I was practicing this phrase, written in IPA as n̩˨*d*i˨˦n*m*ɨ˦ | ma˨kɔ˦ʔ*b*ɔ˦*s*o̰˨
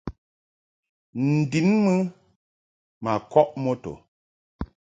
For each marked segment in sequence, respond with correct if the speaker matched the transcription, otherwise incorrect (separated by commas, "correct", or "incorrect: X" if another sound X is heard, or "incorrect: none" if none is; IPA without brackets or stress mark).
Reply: correct, correct, incorrect: m, incorrect: t